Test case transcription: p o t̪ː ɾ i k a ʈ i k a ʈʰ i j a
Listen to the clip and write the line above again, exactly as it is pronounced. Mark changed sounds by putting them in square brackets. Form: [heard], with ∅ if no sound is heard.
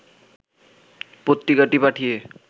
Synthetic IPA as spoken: p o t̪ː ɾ i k a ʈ i [p] a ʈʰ i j [e]